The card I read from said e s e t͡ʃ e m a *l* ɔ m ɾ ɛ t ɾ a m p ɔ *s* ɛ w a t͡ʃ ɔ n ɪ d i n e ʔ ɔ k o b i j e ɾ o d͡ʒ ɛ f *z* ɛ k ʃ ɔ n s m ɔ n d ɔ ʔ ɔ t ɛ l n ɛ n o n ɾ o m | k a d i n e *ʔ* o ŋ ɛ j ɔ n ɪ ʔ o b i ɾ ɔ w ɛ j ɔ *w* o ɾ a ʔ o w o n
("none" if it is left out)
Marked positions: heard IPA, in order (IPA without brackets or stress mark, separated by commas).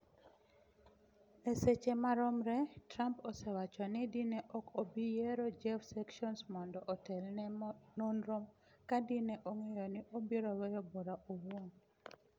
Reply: ɾ, s, s, ʔ, b